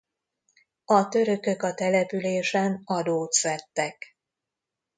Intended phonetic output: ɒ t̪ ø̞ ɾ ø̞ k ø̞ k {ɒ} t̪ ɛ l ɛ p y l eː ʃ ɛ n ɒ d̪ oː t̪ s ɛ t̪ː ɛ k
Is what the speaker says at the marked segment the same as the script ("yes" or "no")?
yes